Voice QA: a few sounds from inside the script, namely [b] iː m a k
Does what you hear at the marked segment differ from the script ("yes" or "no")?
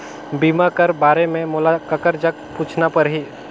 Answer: no